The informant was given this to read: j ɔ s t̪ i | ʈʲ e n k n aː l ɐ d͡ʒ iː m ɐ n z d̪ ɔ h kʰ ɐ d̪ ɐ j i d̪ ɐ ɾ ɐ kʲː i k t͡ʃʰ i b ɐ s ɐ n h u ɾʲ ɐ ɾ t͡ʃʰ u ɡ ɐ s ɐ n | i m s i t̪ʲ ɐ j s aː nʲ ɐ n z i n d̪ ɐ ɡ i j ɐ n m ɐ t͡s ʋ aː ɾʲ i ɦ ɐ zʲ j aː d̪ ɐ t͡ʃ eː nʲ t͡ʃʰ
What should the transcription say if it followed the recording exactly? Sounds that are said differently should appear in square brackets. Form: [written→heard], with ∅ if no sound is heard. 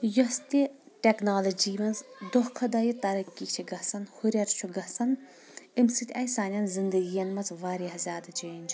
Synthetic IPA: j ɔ s t̪ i | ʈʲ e [n→∅] k n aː l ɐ d͡ʒ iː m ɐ n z d̪ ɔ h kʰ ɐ d̪ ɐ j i [d̪→t̪] ɐ ɾ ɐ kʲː i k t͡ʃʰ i [b→ɡ] ɐ s ɐ n h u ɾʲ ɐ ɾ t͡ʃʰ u ɡ ɐ s ɐ n | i m s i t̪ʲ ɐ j s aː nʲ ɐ n z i n d̪ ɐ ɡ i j ɐ n m ɐ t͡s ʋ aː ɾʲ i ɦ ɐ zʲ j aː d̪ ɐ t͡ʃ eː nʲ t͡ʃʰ